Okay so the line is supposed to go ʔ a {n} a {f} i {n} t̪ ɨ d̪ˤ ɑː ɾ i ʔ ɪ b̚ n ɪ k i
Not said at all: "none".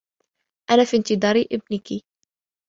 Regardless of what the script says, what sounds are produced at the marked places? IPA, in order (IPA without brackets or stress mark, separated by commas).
n, f, n